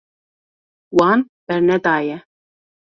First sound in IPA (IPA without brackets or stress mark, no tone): w